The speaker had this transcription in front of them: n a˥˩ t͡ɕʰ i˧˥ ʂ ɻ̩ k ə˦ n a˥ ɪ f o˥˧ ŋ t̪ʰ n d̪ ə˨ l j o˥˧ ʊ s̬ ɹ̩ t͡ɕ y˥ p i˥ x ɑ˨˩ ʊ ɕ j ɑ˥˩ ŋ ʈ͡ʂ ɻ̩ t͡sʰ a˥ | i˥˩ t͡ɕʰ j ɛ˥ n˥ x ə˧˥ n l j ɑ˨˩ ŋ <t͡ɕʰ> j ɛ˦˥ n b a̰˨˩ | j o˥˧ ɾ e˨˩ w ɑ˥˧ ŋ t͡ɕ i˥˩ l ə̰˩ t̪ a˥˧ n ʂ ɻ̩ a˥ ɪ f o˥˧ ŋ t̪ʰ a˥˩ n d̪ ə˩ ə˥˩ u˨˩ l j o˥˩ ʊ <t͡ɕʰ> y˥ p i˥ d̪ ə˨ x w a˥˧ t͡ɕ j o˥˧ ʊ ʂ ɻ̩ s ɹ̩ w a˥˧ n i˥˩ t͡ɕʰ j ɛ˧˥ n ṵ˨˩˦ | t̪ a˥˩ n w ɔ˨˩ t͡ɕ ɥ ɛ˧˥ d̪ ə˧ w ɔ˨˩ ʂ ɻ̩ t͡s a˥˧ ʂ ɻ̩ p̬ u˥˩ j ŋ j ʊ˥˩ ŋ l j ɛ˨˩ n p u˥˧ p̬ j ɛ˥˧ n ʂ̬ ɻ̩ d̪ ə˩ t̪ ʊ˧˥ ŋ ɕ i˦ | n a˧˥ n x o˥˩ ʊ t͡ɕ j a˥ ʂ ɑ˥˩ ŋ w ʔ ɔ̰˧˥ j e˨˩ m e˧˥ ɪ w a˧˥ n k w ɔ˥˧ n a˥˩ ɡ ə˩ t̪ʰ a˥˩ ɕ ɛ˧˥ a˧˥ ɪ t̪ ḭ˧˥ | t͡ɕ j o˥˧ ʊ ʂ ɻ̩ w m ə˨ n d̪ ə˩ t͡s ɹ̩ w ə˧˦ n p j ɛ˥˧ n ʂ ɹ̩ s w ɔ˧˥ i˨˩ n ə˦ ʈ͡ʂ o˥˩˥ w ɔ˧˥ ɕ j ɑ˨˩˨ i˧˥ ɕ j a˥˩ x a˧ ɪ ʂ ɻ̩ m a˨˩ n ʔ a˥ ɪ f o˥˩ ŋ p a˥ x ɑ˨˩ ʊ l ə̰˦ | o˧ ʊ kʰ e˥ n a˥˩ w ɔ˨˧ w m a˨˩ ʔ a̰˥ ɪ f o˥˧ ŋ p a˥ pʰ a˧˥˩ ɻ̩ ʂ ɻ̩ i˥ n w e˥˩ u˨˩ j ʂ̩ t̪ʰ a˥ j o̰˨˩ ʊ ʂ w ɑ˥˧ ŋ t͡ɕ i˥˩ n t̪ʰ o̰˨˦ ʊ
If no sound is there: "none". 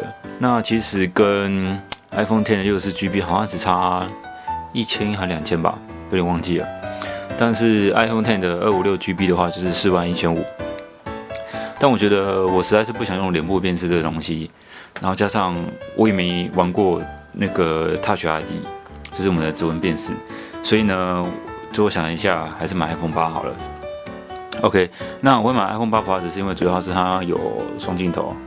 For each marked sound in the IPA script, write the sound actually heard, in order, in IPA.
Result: t͡ɕʰ, t͡ɕ

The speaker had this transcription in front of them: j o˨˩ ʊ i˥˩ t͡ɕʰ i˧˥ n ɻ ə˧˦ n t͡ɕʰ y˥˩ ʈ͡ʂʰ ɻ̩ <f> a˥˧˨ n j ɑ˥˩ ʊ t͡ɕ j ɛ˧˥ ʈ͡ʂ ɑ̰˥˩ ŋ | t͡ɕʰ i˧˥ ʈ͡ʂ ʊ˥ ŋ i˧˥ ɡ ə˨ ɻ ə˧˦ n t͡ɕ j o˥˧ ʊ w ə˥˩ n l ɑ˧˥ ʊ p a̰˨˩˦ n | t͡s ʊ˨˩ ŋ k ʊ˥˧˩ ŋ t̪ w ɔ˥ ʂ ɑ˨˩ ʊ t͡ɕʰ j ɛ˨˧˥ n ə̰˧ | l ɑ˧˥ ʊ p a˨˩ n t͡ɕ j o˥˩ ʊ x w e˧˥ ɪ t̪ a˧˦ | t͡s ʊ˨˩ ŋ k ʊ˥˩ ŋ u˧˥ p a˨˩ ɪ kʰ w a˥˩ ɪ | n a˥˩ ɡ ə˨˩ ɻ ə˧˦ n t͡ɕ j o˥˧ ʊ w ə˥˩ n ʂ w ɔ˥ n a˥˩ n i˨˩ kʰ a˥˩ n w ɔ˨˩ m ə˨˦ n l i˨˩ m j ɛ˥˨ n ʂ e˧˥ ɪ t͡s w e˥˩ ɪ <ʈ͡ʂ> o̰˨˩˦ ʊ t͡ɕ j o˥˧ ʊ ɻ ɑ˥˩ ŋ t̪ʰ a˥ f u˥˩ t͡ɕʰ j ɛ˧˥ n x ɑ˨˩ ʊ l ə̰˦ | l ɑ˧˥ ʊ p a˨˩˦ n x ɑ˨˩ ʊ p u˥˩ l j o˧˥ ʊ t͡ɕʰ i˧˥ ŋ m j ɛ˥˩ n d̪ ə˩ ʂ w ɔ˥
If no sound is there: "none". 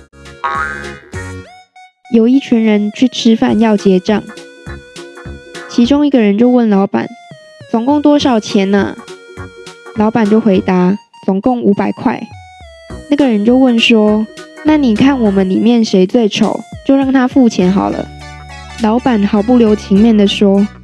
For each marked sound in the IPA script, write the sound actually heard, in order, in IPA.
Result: f, ʈ͡ʂʰ

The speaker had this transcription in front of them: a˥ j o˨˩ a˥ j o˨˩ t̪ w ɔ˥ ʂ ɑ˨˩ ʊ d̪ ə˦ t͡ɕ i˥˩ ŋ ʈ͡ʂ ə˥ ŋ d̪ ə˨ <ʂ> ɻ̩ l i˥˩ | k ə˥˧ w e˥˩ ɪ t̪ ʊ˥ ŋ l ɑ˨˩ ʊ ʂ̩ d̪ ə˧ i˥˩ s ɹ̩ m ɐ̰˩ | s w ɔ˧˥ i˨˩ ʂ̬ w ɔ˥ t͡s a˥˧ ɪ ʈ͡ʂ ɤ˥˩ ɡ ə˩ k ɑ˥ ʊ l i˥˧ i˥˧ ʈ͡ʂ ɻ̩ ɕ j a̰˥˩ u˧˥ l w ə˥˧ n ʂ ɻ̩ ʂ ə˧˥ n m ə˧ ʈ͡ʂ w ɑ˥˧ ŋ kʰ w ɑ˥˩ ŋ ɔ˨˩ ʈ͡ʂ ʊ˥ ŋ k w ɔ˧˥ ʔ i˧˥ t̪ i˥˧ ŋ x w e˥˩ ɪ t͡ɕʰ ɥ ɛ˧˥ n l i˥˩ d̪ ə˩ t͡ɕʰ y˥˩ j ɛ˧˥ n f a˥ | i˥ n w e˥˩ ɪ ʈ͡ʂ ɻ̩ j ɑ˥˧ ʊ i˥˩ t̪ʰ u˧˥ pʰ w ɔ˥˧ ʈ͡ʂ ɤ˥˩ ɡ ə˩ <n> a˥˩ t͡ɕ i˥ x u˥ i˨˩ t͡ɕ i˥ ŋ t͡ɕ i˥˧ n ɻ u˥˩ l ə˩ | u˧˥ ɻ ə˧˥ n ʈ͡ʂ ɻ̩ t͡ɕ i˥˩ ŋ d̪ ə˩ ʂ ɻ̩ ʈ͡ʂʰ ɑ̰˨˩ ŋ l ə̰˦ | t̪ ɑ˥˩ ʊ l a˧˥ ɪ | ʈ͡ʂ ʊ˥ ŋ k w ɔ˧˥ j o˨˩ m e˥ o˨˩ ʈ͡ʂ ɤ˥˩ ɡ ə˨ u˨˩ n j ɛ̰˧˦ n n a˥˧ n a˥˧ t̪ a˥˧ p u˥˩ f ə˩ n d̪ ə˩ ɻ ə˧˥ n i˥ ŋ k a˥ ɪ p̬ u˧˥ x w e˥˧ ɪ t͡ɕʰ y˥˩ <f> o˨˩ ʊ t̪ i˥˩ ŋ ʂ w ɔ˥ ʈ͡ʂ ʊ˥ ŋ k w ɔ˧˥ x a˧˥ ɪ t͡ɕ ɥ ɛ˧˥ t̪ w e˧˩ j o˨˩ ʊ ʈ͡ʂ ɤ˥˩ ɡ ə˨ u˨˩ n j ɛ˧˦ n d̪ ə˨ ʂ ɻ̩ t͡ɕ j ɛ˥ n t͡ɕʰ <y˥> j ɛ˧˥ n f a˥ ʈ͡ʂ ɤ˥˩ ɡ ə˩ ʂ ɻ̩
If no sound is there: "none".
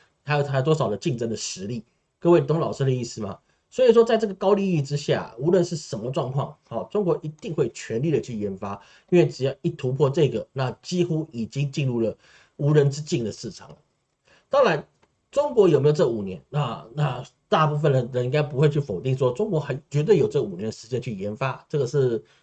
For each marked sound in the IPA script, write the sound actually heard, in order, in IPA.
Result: ʂ, n, f, y˥˩

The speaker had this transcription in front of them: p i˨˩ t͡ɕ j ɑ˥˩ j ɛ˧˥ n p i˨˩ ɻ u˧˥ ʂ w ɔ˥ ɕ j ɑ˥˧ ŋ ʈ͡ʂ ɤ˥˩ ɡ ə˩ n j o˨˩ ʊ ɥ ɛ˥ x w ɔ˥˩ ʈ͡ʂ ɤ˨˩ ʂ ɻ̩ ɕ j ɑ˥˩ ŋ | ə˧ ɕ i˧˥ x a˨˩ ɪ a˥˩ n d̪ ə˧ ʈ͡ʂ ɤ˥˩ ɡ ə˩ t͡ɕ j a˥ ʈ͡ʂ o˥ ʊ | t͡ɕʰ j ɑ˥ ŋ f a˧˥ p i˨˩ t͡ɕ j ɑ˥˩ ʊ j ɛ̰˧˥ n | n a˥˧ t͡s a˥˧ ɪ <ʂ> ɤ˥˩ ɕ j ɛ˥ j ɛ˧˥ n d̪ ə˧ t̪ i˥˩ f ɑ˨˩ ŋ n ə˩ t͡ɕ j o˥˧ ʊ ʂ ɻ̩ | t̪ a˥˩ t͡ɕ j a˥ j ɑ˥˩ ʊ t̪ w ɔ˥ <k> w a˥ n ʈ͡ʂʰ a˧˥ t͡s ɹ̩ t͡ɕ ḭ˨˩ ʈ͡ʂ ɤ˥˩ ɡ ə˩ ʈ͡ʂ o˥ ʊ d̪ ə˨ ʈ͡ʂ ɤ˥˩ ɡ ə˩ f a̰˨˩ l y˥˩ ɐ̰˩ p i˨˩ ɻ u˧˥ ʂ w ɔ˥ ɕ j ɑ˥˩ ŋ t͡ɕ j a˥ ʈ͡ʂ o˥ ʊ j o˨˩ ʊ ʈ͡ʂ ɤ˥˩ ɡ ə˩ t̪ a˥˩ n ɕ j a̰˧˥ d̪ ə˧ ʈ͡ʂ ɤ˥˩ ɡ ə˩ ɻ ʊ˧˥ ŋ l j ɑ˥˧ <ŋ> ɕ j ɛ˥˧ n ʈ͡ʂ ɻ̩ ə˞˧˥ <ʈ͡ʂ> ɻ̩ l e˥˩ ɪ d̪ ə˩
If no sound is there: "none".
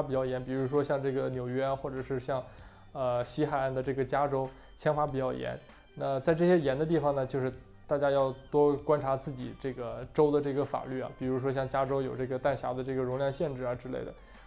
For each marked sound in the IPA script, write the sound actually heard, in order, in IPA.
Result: ʈ͡ʂ, k, ŋ, ʈ͡ʂ

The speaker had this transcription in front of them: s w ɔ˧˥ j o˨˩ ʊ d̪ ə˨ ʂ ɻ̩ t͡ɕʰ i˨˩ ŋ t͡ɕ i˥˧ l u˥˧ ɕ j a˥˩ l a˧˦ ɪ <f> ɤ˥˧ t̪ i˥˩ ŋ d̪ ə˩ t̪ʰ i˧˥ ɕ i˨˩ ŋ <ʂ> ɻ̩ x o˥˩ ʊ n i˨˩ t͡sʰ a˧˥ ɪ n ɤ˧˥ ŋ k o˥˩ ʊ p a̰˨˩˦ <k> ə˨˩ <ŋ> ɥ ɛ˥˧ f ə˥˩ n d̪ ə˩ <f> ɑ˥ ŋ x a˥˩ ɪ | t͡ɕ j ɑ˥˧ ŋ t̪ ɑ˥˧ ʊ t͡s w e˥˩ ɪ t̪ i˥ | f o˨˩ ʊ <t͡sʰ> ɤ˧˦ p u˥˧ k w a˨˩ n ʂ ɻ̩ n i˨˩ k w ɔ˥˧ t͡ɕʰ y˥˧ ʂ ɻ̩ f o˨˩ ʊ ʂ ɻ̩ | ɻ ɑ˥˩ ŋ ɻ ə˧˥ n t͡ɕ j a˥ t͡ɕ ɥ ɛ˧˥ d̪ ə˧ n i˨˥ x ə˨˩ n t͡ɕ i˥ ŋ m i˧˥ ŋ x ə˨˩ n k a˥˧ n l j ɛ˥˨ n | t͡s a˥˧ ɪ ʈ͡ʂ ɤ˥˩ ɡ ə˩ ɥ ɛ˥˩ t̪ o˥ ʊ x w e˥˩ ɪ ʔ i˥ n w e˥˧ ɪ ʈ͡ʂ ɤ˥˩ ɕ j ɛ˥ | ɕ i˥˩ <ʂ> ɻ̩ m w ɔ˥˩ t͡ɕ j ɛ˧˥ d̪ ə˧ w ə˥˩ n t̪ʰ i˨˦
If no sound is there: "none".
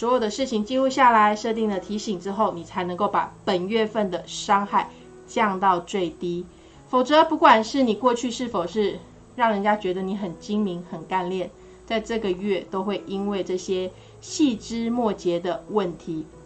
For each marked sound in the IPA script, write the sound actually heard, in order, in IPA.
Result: ʂ, ʈ͡ʂ, p, n, ʂ, t͡s, ʈ͡ʂ

